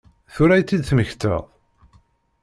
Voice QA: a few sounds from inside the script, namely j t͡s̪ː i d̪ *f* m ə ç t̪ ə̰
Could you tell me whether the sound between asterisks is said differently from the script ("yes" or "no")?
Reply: yes